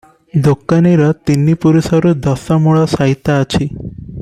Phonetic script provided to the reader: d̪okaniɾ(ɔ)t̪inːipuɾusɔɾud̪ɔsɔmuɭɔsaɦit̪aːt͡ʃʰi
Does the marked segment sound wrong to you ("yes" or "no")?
no